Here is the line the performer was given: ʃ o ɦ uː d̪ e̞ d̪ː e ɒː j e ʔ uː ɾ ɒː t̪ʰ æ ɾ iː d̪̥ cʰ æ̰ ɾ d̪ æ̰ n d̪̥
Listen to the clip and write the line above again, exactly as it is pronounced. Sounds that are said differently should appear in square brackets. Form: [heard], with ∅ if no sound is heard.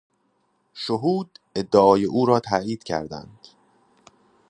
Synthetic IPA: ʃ o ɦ uː d̪ e̞ d̪ː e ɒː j e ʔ uː ɾ ɒː t̪ʰ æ [∅] iː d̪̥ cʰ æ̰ ɾ d̪ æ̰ n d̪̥